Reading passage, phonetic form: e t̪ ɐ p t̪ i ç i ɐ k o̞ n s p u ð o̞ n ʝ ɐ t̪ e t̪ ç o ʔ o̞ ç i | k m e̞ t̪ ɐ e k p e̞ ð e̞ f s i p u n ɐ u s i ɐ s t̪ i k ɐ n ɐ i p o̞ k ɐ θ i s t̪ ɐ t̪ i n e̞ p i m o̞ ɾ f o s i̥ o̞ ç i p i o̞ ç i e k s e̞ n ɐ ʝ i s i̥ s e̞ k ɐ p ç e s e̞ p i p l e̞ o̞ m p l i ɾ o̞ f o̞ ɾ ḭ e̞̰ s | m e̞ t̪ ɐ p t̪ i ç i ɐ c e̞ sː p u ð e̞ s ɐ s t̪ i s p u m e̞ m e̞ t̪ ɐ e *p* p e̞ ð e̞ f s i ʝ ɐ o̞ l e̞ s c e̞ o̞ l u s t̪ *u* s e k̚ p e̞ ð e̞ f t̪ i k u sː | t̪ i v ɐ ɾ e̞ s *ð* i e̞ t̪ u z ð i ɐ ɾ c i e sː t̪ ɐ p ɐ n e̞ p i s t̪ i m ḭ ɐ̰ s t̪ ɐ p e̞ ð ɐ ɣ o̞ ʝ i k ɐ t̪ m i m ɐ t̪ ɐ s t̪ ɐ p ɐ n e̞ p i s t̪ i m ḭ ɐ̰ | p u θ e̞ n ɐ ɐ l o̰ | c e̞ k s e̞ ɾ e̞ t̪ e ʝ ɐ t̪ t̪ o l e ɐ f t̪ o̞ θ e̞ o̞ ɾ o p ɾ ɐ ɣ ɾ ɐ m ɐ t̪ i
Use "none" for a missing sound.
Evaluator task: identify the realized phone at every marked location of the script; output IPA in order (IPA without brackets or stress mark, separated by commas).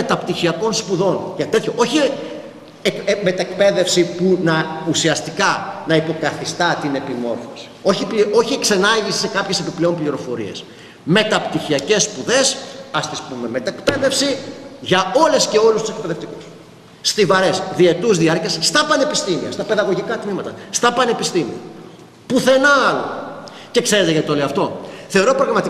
k, u, ð